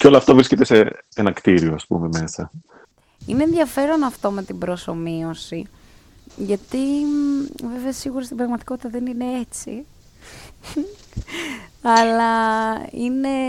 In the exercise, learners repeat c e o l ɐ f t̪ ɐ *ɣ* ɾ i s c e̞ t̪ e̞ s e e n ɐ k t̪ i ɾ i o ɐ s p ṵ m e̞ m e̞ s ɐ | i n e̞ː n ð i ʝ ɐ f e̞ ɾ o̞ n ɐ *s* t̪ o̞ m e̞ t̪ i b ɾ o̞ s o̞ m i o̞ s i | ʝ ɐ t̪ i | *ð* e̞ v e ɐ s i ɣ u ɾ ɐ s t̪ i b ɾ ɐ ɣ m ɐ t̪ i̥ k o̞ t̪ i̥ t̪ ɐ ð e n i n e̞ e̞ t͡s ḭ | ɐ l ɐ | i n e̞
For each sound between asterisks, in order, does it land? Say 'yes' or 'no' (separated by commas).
no, no, no